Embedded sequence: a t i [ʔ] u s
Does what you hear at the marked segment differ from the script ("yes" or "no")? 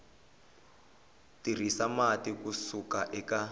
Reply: yes